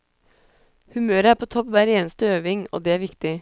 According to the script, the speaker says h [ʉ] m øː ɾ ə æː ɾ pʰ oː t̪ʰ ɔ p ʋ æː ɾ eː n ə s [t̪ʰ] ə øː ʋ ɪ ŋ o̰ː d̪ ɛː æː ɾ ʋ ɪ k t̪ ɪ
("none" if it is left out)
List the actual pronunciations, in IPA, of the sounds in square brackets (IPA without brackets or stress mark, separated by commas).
ʉ, t̪